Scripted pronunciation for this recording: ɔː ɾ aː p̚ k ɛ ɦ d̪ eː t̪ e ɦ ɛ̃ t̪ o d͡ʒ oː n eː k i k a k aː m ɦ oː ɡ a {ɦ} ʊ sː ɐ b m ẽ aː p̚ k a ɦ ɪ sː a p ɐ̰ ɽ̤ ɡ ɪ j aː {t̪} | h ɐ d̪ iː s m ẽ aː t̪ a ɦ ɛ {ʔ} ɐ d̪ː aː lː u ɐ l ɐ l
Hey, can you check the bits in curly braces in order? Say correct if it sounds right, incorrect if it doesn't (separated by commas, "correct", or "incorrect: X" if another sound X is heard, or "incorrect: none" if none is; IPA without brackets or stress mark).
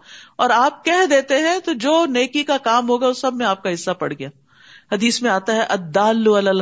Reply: incorrect: none, incorrect: none, correct